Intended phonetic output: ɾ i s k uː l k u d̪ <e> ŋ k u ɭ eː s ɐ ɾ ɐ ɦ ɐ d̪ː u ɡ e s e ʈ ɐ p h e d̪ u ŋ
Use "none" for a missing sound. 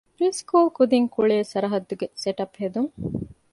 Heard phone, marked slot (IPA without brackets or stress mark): i